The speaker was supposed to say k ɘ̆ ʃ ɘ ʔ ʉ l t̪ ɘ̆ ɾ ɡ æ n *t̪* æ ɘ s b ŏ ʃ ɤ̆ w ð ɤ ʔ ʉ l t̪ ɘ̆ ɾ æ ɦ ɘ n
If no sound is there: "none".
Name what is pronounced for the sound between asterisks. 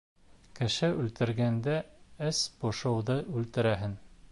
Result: d̪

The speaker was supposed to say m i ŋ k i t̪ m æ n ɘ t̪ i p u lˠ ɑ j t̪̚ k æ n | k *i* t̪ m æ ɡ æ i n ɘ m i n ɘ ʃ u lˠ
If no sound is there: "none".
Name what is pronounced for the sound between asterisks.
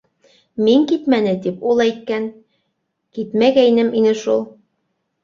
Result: i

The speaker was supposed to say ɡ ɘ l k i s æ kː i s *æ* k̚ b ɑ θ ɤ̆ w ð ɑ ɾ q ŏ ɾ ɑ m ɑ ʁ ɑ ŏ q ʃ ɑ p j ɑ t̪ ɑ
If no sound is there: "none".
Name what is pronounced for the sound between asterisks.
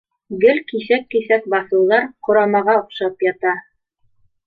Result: æ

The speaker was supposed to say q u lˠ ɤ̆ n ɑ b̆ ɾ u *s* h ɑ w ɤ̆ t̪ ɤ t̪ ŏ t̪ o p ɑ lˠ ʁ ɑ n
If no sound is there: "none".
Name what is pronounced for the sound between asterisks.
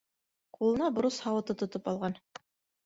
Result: s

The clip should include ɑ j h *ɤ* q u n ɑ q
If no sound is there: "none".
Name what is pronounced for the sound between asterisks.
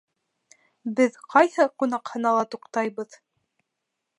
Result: ɤ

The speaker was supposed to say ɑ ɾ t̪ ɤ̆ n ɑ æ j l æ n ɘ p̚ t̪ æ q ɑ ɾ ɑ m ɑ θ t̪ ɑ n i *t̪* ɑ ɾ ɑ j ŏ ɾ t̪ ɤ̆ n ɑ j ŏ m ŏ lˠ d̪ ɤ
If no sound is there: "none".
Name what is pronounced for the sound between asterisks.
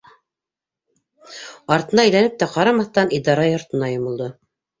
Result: d̪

